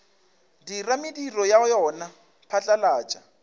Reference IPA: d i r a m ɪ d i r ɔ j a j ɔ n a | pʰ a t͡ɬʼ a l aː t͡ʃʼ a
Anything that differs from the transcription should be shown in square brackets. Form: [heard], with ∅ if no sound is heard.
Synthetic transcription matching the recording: d i r a m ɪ d i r ɔ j a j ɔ n a | pʰ a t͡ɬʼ a l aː t͡ʃʼ a